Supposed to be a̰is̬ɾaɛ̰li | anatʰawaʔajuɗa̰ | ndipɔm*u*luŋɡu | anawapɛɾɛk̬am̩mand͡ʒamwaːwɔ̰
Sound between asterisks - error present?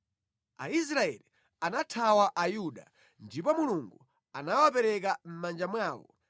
no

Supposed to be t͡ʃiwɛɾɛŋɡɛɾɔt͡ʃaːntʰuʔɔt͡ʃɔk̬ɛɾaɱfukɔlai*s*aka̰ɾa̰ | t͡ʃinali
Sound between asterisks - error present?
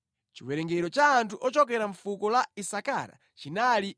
no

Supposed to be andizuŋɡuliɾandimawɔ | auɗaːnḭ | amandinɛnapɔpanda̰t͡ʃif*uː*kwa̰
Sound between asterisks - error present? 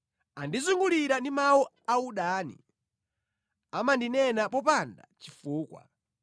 no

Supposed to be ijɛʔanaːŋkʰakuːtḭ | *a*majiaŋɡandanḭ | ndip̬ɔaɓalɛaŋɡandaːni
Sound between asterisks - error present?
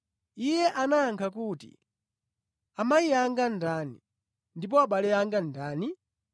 no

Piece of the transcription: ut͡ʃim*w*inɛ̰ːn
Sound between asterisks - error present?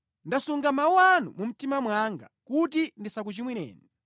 no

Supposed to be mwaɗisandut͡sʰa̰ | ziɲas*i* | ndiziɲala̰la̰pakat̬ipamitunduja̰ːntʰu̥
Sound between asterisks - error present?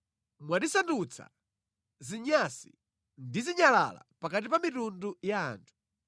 no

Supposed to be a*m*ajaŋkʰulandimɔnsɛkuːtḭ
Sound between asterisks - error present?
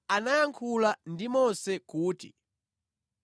yes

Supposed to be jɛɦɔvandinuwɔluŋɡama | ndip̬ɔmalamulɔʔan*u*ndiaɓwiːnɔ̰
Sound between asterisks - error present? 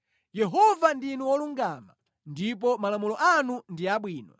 no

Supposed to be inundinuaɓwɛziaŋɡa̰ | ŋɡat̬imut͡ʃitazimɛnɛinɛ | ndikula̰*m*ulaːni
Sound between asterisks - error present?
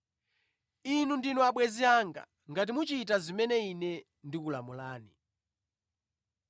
no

